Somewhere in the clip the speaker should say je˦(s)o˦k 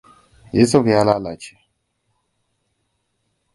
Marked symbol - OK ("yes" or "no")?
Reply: yes